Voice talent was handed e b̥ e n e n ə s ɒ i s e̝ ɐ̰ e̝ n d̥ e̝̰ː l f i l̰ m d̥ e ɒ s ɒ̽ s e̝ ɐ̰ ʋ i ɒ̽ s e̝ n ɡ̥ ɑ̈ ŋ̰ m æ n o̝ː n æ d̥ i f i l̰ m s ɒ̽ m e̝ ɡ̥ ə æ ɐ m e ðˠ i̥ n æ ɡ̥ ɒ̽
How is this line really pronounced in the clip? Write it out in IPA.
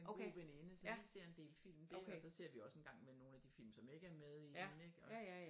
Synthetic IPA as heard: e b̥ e n e n ə s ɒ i s e̝ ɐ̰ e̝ n d̥ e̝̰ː l f i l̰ m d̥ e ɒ s ɒ̽ s e̝ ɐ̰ ʋ i ɒ̽ s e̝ n ɡ̥ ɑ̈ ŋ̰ m e n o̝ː n æ d̥ i f i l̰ m s ɒ̽ m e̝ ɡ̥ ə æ ɐ m e ðˠ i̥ n e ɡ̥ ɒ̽